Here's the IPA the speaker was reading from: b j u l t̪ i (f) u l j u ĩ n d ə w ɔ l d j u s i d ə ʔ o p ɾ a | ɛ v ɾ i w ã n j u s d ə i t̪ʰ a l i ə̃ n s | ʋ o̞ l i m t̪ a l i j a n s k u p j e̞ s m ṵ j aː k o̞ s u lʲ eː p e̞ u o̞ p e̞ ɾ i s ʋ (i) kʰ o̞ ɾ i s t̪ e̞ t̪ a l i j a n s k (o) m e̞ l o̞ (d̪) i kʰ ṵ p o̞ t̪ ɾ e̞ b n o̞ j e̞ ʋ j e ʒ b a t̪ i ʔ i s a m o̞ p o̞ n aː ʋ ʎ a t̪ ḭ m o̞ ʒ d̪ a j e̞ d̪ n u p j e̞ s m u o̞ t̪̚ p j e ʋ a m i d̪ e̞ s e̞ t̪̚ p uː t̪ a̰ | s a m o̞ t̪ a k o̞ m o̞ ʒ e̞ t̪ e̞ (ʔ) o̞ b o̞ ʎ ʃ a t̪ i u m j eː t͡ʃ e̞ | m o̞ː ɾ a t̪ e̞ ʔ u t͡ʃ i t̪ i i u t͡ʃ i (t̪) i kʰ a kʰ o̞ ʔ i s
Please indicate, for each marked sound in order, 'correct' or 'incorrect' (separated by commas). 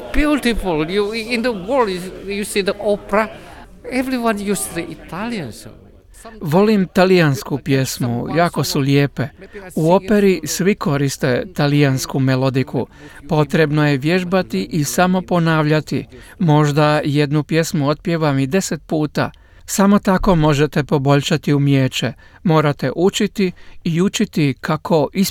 correct, correct, incorrect, correct, incorrect, correct